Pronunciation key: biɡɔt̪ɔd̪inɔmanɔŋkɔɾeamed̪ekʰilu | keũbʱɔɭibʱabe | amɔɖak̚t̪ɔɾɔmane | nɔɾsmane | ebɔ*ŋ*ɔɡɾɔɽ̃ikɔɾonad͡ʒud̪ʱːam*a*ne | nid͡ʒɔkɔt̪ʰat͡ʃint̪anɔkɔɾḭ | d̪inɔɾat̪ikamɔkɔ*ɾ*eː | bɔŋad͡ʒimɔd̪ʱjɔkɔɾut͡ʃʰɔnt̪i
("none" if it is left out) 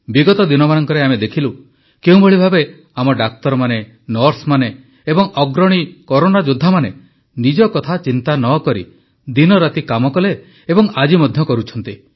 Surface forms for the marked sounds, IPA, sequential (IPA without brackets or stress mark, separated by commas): ŋ, a, l